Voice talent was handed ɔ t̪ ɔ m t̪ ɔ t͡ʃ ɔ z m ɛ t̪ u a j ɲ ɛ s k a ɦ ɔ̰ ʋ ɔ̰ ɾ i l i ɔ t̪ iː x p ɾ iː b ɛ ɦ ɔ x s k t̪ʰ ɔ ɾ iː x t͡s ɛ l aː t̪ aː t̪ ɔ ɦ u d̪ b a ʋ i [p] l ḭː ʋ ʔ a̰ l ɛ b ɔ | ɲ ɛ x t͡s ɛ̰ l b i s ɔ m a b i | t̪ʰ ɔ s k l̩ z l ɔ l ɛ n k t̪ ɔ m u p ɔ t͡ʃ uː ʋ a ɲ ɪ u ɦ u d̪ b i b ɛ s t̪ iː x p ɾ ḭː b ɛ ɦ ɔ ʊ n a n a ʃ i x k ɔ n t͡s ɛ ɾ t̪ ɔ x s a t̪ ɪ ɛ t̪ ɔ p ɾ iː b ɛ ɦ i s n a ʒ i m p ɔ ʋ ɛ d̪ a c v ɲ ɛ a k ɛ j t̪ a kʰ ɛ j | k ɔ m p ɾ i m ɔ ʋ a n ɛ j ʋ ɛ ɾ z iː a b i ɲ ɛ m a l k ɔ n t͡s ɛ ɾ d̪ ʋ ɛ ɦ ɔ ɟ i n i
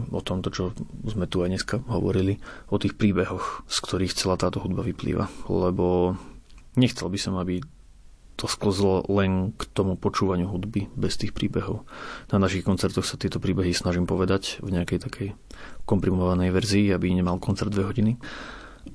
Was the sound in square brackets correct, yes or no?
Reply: yes